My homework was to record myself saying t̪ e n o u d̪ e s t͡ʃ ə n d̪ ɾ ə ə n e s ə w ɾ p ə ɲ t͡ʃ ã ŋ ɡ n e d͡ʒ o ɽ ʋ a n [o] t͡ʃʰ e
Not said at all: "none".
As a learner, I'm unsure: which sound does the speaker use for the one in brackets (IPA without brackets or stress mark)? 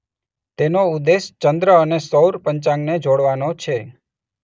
o